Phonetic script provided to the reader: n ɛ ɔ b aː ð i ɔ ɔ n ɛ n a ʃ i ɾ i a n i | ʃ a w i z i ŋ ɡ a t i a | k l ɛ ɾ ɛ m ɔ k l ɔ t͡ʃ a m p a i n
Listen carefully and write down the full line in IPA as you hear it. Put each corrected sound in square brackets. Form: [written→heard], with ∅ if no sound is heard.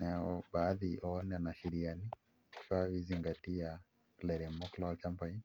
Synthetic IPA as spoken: n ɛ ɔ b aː ð i ɔ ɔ n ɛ n a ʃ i ɾ i a n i | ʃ a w i z i ŋ ɡ a t i a | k l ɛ ɾ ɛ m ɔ k l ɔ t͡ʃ a m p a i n